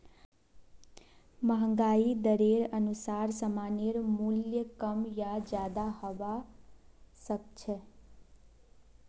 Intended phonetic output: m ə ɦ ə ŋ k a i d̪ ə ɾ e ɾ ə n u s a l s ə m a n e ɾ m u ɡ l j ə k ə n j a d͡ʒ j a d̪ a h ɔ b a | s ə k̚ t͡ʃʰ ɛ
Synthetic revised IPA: m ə ɦ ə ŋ ɡ a i d̪ ə ɾ e ɾ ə n u s a ɾ s ə m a n e ɾ m u l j ə k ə m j a d͡ʒ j a d̪ a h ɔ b a | s ə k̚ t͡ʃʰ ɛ